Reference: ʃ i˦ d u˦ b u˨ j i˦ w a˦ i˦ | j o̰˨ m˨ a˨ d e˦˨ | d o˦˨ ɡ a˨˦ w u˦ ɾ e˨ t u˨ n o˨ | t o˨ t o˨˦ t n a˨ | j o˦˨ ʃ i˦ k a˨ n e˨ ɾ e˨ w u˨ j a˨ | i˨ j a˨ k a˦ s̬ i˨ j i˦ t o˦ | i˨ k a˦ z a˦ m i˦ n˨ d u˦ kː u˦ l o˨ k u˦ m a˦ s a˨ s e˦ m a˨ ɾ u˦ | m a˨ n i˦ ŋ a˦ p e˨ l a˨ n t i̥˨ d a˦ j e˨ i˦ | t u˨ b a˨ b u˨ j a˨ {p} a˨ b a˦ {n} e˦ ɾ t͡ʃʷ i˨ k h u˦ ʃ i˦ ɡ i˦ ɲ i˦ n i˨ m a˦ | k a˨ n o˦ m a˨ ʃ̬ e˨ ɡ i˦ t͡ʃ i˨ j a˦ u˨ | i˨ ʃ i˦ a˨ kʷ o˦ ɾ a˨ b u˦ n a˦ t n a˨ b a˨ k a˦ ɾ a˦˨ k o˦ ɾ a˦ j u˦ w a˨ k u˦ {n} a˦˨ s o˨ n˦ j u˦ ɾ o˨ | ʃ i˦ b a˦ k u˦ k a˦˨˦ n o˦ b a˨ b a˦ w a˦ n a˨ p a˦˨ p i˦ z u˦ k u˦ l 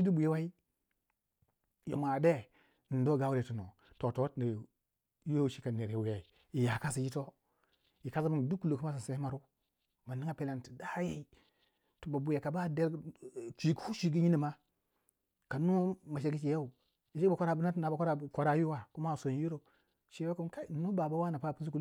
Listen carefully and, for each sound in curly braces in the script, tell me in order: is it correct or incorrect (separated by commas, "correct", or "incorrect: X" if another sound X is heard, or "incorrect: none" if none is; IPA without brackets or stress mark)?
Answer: incorrect: k, incorrect: d, incorrect: m